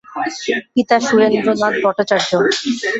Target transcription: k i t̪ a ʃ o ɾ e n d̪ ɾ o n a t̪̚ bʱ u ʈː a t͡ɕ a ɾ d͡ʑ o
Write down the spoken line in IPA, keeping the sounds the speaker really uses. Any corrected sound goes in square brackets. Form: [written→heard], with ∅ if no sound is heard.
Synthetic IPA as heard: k i t̪ a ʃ [o→u] ɾ e n d̪ ɾ o n a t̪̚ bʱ [u→ɔ] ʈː a t͡ɕ a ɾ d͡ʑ o